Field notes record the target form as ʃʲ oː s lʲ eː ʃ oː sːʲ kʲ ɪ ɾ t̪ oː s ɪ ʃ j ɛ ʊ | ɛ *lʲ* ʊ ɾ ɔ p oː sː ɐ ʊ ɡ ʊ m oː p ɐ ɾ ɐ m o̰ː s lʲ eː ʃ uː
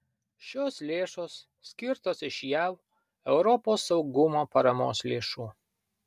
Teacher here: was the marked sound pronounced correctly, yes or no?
no